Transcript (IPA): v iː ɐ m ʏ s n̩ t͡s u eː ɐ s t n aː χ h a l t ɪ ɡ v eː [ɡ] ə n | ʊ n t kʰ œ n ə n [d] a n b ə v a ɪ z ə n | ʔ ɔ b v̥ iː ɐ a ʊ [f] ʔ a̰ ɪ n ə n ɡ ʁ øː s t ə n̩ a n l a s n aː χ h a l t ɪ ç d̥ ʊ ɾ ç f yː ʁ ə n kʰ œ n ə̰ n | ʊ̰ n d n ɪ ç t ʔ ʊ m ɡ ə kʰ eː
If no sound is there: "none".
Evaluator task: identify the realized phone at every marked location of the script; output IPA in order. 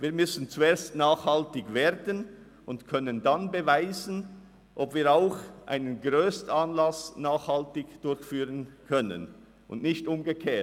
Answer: d, d, x

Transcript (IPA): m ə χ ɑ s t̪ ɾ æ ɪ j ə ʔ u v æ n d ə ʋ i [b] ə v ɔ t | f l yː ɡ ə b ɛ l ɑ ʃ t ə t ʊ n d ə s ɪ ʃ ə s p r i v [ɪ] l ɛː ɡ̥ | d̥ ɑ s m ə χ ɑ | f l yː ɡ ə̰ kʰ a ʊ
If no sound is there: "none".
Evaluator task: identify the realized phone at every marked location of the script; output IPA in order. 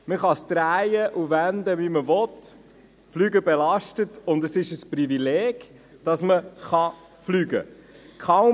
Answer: m, i

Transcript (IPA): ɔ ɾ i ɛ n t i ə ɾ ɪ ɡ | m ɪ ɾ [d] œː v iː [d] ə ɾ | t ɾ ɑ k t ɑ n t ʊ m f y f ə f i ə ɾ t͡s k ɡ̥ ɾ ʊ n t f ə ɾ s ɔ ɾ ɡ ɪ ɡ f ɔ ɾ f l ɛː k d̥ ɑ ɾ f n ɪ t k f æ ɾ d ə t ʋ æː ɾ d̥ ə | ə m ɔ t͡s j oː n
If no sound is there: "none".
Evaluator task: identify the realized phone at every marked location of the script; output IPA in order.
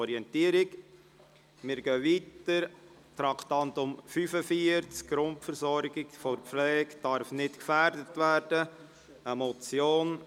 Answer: ɡ, t

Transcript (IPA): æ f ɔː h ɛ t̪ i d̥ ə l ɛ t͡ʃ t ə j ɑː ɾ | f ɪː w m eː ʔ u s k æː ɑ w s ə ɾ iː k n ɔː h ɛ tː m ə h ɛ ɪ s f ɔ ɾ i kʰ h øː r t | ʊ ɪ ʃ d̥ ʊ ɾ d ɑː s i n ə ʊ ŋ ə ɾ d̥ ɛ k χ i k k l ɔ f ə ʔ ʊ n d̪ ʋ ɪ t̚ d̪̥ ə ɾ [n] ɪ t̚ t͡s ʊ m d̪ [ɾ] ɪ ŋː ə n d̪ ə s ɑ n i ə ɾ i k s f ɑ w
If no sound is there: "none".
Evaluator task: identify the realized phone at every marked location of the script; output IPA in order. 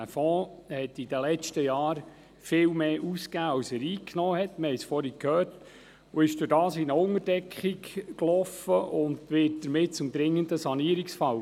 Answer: m, ɾ

